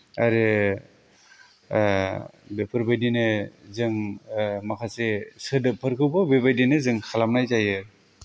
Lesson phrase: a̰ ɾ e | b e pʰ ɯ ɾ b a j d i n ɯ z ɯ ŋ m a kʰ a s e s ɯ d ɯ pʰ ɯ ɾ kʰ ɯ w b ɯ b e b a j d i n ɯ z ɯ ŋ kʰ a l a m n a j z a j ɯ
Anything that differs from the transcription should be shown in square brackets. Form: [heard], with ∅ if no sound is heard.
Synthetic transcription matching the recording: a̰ ɾ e | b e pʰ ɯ ɾ b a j d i n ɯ z ɯ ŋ m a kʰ a s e s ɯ d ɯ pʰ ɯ ɾ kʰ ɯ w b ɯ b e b a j d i n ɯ z ɯ ŋ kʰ a l a m n a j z a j ɯ